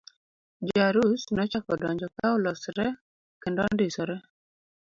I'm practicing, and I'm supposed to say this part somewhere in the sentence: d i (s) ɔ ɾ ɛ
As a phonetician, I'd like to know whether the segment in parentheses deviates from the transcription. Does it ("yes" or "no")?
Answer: no